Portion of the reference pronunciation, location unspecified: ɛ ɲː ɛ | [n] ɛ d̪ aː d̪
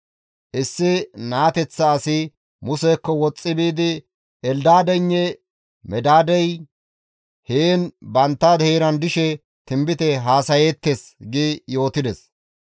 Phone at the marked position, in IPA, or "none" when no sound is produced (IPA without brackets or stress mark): m